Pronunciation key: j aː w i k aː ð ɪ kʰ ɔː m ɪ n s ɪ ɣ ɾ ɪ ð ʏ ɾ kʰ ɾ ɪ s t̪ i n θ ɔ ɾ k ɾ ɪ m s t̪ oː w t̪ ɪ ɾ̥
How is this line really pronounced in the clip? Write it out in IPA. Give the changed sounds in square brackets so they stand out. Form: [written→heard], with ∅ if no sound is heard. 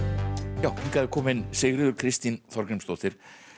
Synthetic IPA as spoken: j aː w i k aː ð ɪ kʰ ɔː m ɪ n s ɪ ɣ ɾ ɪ ð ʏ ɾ kʰ ɾ ɪ s t̪ i n θ ɔ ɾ k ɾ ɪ m s t̪ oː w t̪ ɪ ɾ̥